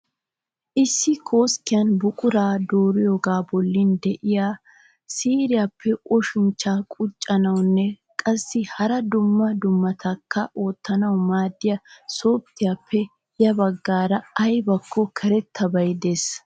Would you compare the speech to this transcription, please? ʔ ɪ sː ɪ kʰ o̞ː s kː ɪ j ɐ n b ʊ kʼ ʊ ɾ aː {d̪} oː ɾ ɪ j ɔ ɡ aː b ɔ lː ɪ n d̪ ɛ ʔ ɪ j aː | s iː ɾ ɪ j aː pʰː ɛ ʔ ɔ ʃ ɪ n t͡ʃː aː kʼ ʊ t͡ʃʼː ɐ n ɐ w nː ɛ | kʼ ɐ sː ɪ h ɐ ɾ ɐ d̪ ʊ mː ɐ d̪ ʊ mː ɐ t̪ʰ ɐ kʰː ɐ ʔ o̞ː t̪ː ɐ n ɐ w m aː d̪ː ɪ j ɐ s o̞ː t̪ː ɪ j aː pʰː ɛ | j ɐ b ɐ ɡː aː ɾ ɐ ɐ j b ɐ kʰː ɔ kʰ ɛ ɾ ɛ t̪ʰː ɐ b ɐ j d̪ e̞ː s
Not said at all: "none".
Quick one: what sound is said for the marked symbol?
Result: d̪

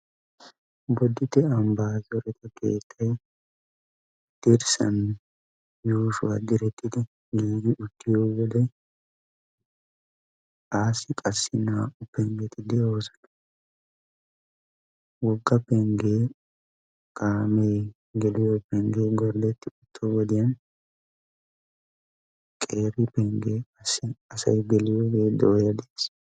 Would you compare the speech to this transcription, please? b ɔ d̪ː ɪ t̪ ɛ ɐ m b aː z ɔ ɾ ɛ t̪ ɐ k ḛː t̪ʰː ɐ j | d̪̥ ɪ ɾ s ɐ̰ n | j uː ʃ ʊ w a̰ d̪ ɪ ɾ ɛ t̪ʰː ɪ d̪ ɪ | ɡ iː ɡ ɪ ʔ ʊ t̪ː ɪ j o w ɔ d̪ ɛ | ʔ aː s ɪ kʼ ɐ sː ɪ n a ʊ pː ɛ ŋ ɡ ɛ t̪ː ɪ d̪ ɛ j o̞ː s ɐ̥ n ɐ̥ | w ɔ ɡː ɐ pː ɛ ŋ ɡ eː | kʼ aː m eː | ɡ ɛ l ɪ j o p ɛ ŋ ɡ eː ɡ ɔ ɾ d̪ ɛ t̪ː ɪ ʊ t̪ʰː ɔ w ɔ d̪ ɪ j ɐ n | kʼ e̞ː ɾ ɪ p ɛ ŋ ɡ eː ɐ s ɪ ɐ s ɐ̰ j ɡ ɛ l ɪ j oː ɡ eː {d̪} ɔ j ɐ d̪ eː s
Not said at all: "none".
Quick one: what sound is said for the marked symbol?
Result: d̪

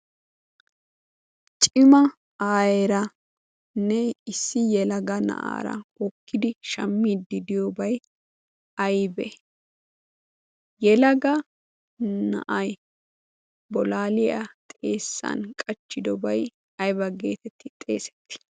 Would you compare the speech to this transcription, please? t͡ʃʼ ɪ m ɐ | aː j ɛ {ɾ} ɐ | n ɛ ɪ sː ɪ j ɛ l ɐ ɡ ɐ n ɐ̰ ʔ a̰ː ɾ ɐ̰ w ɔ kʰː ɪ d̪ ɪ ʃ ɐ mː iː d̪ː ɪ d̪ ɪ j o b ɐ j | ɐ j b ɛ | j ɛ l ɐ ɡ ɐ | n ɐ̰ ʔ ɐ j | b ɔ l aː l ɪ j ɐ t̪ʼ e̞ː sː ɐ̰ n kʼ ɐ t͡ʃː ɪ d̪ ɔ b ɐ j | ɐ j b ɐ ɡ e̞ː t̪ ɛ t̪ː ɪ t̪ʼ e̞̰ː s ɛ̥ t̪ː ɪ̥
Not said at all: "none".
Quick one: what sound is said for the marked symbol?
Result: ɾ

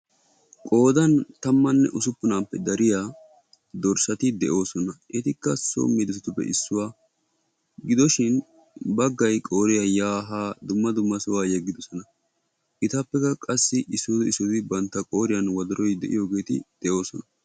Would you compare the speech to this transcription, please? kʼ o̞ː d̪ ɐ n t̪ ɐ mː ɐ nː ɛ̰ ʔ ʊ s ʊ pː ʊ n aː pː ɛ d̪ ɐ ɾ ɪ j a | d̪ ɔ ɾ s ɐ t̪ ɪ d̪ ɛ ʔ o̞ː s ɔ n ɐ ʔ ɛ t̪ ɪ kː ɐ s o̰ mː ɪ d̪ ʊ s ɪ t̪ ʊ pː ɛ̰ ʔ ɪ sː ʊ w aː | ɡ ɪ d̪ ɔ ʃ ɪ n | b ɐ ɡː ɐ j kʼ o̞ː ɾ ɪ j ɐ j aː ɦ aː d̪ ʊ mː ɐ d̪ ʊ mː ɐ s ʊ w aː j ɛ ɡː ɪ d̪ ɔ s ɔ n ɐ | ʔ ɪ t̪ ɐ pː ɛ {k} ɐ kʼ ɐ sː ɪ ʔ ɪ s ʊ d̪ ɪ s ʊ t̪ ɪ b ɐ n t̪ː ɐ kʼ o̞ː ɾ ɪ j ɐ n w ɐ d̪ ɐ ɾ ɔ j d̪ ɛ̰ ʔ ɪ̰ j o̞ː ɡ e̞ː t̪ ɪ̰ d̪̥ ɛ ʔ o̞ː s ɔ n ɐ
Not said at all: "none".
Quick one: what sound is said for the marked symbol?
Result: k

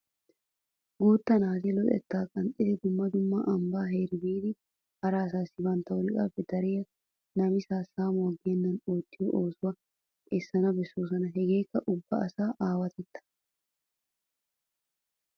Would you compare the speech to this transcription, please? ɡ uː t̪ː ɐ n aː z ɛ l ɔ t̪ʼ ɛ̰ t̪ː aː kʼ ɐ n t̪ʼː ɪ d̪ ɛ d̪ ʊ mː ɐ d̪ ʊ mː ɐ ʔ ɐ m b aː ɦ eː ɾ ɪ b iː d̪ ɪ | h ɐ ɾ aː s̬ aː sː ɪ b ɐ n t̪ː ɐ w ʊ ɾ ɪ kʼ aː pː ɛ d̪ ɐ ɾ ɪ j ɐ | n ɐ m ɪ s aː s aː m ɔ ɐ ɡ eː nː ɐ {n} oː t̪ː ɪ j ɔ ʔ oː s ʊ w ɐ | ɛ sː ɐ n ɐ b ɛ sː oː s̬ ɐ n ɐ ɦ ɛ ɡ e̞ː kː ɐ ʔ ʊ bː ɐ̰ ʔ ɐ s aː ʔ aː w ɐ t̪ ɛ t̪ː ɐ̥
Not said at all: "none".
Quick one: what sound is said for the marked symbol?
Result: n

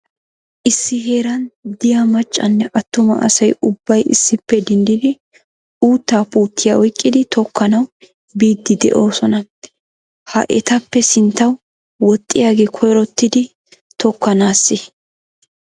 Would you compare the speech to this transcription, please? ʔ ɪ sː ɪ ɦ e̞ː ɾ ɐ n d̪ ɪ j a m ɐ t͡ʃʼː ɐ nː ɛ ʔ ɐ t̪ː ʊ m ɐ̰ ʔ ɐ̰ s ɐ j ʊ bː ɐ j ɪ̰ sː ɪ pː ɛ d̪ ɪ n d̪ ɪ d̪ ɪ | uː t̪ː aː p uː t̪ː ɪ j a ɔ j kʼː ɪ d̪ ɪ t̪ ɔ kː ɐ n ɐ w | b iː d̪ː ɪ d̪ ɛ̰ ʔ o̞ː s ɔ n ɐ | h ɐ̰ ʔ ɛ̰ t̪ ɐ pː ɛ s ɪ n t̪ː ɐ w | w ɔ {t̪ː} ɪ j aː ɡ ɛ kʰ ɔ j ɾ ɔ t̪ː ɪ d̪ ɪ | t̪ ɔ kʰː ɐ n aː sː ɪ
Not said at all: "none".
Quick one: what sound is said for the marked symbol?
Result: t̪ʼː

